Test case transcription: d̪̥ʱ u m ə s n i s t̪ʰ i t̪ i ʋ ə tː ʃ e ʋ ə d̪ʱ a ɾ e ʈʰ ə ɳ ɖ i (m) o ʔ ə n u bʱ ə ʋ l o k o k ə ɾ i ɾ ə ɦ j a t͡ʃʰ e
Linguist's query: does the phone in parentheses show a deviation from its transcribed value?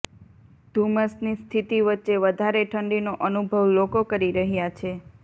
yes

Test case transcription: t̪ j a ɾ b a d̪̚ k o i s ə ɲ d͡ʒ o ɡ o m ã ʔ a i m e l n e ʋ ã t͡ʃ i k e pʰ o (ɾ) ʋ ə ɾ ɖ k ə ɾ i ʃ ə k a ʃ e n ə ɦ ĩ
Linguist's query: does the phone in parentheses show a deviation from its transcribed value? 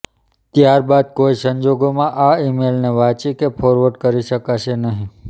no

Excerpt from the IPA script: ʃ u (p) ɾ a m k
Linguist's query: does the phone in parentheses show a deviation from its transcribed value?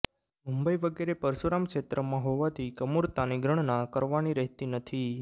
yes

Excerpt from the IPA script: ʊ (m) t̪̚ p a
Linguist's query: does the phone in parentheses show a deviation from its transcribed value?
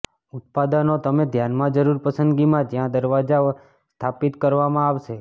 yes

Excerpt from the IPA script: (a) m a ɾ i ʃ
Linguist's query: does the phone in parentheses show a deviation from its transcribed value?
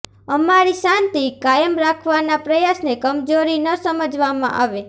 yes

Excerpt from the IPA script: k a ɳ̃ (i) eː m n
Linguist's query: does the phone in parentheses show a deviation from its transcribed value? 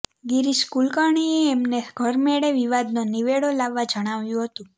no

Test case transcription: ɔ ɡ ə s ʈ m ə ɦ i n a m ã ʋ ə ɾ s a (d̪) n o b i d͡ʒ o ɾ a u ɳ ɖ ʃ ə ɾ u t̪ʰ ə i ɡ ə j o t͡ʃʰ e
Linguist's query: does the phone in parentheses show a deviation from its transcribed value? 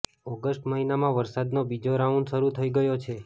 no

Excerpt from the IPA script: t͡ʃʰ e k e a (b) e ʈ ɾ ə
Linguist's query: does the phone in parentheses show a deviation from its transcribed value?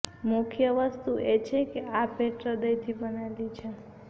yes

